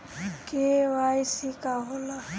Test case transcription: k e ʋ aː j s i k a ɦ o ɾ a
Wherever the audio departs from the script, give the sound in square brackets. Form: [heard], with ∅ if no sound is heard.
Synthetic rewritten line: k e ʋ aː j s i k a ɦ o [l] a